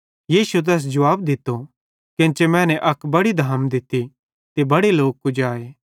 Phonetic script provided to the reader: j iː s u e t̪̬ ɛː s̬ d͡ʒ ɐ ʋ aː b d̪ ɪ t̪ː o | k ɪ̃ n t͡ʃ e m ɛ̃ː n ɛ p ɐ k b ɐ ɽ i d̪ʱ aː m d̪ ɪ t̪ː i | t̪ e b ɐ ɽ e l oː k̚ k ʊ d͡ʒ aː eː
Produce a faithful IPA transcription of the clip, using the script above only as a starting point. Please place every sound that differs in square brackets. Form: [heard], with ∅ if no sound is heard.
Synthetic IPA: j iː s u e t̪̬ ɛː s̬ d͡ʒ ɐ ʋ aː b d̪ ɪ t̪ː o | k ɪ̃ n t͡ʃ e m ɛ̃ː n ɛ [ʔ] ɐ k b ɐ ɽ i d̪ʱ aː m d̪ ɪ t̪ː i | t̪ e b ɐ ɽ e l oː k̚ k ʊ d͡ʒ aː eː

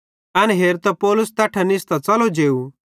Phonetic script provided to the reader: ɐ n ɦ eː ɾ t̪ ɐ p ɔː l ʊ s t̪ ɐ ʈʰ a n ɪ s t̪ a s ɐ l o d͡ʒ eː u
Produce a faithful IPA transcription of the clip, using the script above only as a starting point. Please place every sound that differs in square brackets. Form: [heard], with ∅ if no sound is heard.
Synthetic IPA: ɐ n ɦ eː ɾ t̪ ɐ p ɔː l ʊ s t̪ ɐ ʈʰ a n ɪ s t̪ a [t͡s] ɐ l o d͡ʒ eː u

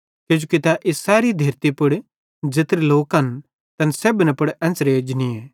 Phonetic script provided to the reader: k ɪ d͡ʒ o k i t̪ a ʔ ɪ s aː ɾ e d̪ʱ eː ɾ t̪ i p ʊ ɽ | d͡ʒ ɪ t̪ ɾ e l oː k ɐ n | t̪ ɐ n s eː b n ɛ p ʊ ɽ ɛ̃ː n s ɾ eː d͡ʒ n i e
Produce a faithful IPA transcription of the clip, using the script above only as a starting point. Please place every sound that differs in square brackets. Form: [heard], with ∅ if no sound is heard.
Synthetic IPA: k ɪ d͡ʒ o k i t̪ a ʔ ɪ s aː ɾ [i] d̪ʱ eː ɾ t̪ i p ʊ ɽ | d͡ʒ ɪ t̪ ɾ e l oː k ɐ n | t̪ ɐ n s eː b n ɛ p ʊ ɽ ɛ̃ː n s ɾ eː d͡ʒ n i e

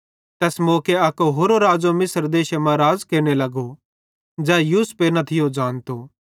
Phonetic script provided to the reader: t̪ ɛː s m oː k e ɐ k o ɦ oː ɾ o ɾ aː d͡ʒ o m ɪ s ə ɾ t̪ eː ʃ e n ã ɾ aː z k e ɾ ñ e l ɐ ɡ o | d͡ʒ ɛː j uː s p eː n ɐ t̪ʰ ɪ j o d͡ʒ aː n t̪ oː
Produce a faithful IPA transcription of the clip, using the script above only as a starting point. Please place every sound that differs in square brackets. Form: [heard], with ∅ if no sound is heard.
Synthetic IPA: t̪ ɛː s m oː k e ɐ k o ɦ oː ɾ o ɾ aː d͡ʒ o m ɪ s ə ɾ [d̪] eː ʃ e [m] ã ɾ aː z k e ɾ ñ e l ɐ ɡ o | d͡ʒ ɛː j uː s p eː n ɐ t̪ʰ ɪ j o d͡ʒ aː n t̪ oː

